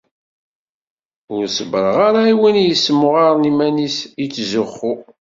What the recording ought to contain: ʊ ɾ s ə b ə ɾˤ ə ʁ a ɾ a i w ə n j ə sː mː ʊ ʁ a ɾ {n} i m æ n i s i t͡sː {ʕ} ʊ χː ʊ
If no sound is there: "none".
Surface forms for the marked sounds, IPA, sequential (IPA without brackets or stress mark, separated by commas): n, z